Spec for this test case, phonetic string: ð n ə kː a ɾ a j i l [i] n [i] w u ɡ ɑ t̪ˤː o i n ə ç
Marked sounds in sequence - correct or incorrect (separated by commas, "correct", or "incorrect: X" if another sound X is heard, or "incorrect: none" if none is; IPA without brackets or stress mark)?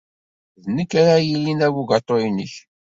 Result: correct, incorrect: æ